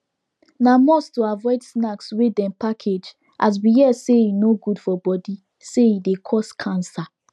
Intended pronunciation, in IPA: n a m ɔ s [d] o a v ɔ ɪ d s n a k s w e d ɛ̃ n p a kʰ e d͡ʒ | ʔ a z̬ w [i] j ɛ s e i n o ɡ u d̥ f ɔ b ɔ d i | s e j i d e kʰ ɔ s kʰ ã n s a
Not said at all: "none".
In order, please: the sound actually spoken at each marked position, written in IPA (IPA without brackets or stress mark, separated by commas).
t, i